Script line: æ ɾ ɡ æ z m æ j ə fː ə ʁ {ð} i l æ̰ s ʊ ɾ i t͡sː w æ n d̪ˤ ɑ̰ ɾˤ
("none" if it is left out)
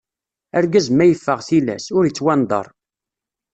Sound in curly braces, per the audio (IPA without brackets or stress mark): θ